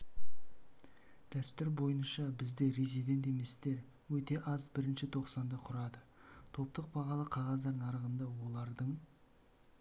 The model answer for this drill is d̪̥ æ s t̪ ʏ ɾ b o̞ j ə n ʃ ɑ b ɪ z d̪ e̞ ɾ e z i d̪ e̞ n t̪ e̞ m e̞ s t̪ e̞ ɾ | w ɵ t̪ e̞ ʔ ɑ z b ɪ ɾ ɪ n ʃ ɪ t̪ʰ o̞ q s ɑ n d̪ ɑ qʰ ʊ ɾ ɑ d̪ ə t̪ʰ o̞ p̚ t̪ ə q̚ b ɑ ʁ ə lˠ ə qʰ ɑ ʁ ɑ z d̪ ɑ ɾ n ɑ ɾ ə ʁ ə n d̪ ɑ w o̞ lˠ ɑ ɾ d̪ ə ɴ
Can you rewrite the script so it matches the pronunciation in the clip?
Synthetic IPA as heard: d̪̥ æ s t̪ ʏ ɾ b o̞ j ə n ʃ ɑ b ɪ z d̪ e̞ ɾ e z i d̪ e̞ n t̪ e̞ m e̞ s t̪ e̞ ɾ | w ɵ t̪ e̞ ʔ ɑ z b ɪ ɾ ɪ n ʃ ɪ t̪ʰ o̞ q s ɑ n d̪ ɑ qʰ ʊ ɾ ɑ d̪ ə t̪ʰ o̞ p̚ t̪ ə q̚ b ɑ ʁ ɑ lˠ ə qʰ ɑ ʁ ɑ z d̪ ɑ ɾ n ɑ ɾ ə ʁ ə n d̪ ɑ w o̞ lˠ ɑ ɾ d̪ ə ɴ